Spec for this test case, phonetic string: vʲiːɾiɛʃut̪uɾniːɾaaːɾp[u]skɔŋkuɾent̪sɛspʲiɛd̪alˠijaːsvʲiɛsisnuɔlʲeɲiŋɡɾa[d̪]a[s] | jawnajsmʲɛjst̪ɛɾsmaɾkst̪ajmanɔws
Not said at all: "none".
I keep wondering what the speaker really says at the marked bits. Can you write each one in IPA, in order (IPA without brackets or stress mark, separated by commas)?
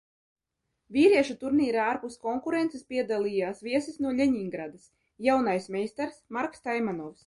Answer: u, d̪, s